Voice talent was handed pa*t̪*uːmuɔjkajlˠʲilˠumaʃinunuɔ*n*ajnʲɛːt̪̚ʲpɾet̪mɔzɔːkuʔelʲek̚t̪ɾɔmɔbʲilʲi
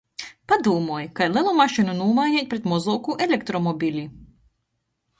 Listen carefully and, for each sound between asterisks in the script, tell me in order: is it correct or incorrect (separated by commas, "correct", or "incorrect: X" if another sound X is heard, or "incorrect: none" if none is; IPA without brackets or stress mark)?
incorrect: d̪, incorrect: m